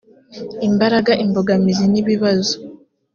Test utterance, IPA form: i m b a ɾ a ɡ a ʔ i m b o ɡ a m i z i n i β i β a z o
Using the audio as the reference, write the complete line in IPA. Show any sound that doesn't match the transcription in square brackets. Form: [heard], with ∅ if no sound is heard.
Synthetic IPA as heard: i m b a ɾ a ɡ a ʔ i m b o ɡ a m i z i n i β i β a z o

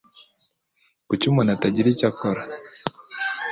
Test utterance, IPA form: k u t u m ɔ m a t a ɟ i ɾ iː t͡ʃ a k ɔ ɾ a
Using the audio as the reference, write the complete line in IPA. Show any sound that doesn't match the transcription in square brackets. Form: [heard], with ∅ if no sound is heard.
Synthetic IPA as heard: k u [t͡ʃ] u m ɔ [n] a t a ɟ i ɾ [i] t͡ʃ a k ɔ ɾ a

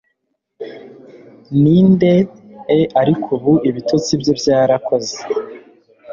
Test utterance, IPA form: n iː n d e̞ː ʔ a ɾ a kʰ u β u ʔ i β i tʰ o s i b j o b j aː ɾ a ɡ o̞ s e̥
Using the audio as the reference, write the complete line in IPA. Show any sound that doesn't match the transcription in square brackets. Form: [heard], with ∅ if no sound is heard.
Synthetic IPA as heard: n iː n d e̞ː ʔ a ɾ [i] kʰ u β u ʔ i β i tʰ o [t͡s] i b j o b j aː ɾ a [k] o̞ [z] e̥

